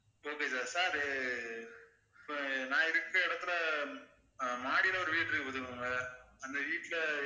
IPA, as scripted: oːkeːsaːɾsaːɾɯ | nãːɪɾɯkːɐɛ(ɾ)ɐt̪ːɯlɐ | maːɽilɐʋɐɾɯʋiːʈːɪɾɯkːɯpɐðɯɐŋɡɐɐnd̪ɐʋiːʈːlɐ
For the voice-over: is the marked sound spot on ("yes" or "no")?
no